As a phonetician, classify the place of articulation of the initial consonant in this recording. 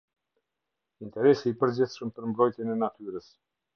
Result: alveolar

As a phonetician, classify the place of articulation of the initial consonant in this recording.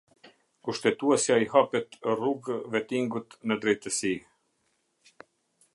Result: velar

